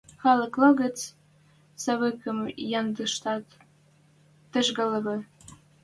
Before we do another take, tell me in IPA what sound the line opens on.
x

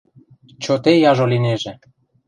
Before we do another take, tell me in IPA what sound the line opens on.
t͡ɕ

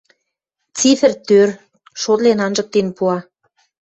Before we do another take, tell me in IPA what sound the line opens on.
t͡s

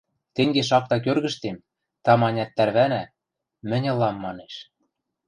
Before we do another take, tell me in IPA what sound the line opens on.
t̪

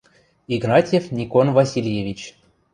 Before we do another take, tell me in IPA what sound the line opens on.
i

